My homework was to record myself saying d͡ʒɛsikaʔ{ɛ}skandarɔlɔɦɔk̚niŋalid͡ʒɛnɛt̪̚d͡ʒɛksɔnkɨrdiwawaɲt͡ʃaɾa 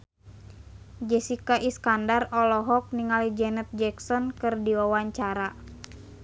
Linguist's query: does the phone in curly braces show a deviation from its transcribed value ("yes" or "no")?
yes